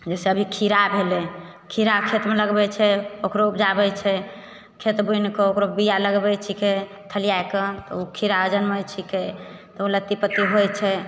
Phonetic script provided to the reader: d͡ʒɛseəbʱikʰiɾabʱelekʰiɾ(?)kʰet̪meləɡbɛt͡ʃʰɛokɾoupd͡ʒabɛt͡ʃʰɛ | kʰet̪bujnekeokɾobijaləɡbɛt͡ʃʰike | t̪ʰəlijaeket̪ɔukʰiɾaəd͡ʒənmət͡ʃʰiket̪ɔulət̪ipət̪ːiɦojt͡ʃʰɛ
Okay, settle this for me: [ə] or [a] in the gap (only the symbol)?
a